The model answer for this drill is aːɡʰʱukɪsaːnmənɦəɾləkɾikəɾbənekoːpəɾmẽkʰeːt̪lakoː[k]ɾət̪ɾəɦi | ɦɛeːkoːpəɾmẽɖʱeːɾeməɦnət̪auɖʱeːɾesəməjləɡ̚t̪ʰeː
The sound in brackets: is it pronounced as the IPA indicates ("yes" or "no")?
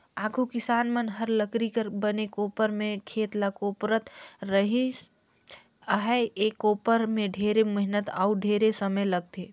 no